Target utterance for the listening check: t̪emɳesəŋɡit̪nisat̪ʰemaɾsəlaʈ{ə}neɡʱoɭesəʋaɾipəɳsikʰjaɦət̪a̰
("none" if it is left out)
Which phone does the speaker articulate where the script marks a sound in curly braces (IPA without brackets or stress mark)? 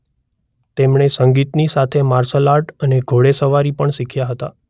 ə